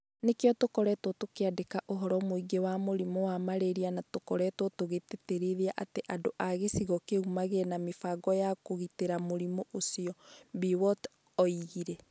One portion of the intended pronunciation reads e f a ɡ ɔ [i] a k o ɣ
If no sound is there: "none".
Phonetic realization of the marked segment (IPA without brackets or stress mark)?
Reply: j